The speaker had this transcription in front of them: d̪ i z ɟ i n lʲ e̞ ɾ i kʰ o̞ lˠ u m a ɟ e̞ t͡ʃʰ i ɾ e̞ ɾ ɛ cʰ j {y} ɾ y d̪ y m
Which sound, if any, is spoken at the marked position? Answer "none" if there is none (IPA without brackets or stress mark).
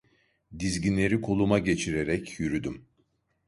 y